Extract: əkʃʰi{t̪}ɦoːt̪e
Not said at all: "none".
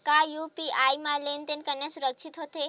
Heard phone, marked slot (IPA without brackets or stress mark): t̪